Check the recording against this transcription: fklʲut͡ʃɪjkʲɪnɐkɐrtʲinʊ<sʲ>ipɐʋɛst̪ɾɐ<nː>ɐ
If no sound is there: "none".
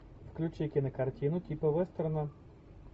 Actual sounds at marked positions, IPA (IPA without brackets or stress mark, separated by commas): tʲ, n